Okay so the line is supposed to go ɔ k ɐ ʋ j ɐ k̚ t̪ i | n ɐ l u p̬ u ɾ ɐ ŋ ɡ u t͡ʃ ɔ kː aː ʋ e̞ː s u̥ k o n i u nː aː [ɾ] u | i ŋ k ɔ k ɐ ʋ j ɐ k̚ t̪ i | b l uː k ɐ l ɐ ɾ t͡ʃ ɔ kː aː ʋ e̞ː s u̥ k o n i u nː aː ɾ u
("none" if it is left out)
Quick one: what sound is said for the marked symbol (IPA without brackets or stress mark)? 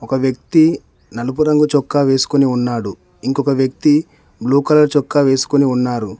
ɽ